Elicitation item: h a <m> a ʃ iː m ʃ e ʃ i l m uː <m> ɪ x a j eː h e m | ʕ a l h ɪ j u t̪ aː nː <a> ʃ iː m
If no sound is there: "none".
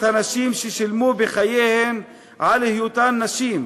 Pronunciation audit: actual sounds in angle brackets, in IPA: n, b, a

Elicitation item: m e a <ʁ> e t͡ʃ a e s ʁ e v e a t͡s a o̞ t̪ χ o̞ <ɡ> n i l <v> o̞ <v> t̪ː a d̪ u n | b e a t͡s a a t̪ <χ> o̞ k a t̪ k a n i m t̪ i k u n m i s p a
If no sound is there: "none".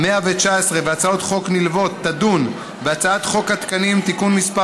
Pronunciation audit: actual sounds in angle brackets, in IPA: v, k, v, none, χ

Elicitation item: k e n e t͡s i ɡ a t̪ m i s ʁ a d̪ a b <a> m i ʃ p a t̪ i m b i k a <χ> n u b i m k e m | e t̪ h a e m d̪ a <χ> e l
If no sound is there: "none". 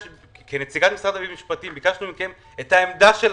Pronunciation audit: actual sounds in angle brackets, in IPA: i, ʃ, ʃ

